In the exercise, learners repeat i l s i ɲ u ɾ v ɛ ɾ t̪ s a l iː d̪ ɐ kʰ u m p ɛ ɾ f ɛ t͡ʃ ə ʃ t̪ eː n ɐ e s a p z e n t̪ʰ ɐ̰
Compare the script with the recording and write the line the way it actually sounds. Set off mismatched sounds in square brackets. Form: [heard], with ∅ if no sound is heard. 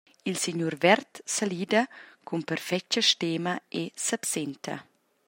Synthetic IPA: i l s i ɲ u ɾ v ɛ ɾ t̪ s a l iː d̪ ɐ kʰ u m p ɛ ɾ f ɛ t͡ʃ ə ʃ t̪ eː [m] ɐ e s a p [s] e n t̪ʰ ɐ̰